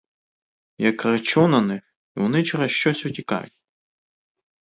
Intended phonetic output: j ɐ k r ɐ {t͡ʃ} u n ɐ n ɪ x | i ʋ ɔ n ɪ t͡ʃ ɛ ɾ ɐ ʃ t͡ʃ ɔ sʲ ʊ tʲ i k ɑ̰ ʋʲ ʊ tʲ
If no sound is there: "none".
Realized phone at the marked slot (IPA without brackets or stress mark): t͡ʃ